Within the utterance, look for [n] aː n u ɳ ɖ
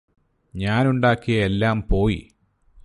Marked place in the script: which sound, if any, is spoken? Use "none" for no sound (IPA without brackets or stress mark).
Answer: ɲ